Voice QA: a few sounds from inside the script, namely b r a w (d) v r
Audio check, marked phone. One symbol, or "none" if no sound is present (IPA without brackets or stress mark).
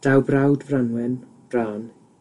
d